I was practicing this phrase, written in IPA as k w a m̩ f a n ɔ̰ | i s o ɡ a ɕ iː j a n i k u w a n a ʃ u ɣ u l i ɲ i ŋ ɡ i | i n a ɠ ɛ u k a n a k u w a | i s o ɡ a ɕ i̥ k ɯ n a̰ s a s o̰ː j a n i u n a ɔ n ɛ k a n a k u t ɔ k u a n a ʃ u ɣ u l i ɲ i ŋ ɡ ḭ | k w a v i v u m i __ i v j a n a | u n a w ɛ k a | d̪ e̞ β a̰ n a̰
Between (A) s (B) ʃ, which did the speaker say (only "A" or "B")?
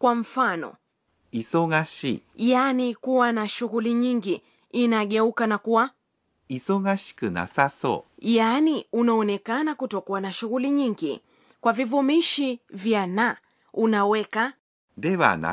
B